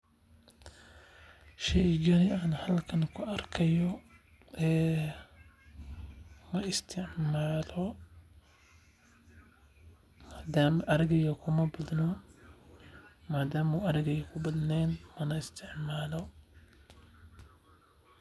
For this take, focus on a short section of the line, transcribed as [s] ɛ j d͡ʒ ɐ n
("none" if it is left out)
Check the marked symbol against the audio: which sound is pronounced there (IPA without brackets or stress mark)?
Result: ʃ